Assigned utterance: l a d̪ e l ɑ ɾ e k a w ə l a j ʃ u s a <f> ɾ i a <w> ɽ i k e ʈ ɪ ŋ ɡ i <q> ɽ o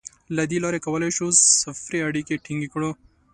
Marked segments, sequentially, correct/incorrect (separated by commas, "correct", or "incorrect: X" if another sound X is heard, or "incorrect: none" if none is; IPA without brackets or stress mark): correct, incorrect: none, incorrect: k